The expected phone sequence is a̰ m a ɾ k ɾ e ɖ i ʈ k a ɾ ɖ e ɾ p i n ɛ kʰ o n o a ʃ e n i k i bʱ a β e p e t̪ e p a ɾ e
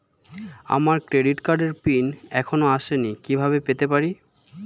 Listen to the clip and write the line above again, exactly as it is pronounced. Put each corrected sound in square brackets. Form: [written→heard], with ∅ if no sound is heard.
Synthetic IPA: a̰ m a ɾ k ɾ e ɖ i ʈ k a ɾ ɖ e ɾ p i n ɛ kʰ o n o a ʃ e n i k i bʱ a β e p e t̪ e p a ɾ [e→i]